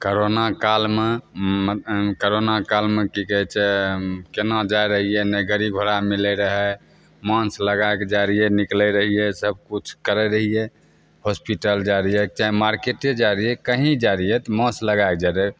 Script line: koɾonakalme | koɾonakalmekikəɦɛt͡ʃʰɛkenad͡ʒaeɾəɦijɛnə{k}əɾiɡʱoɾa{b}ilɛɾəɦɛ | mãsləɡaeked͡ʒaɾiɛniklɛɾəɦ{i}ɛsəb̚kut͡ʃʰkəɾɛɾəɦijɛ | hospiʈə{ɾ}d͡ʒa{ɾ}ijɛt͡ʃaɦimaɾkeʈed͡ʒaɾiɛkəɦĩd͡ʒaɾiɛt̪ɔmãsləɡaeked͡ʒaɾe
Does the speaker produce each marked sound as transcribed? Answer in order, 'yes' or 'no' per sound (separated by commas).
no, no, yes, no, yes